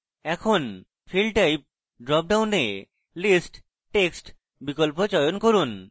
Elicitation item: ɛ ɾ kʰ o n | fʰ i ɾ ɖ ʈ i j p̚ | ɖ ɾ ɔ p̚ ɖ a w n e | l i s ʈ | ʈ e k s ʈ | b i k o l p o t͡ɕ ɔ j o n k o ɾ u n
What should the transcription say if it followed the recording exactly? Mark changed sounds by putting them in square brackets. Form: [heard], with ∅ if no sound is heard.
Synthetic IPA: ɛ [∅] kʰ o n | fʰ i [l] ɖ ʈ [a] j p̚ | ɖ ɾ ɔ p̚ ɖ a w n e | l i s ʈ | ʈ e k s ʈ | b i k o l p o t͡ɕ ɔ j o n k o ɾ u n

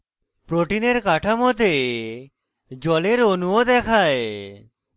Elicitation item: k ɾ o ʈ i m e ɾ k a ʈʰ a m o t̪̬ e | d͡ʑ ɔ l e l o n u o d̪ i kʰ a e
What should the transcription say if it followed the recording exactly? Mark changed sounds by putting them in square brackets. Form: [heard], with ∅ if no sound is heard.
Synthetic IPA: [p] ɾ o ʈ i [n] e ɾ k a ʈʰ a m o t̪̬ e | d͡ʑ ɔ l e [ɾ] o n u o d̪ [ɛ] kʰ a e

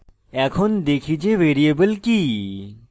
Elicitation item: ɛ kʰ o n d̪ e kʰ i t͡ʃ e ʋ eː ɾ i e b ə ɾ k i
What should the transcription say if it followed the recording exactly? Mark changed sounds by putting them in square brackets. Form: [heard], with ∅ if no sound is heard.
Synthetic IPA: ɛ kʰ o n d̪ e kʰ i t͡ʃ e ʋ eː ɾ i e b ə [l] k i

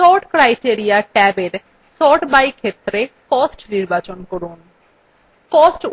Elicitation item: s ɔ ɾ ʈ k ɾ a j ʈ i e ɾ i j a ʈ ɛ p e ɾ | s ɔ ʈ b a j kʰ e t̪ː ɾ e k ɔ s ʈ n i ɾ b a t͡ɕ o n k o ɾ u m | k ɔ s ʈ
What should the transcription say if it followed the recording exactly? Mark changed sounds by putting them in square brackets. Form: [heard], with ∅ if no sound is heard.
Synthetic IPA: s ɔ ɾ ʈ k ɾ a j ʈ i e ɾ i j a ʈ ɛ [b] e ɾ | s ɔ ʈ b a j kʰ e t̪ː ɾ e k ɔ s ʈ n i ɾ b a t͡ɕ o n k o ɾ u [n] | k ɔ s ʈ

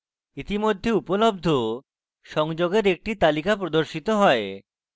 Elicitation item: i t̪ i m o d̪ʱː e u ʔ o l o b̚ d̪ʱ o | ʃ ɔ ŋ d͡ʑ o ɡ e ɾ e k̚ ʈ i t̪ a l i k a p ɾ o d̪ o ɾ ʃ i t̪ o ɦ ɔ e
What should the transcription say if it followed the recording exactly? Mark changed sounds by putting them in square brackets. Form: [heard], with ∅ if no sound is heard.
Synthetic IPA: i t̪ i m o d̪ʱː e u [p] o l o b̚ d̪ʱ o | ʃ ɔ ŋ d͡ʑ o ɡ e ɾ e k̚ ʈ i t̪ a l i k a p ɾ o d̪ o ɾ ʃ i t̪ o ɦ ɔ e

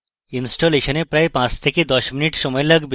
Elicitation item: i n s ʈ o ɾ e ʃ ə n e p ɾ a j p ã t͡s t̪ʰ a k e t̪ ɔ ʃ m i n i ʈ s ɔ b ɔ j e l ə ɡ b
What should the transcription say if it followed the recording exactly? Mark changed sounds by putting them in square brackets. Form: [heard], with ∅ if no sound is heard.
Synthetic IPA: i n s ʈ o [l] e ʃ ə n e p ɾ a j p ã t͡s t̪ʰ [e] k e [d̪] ɔ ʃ m i n i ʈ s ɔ [m] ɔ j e l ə ɡ b

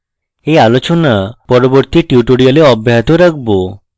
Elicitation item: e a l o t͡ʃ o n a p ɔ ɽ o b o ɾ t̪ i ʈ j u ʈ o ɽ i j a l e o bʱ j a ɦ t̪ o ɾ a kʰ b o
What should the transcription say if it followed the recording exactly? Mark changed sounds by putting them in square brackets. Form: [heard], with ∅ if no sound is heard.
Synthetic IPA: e a l o t͡ʃ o n a p ɔ [ɾ] o b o ɾ t̪ i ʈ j u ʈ o ɽ i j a l e [ɔ] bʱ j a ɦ t̪ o ɾ a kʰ b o

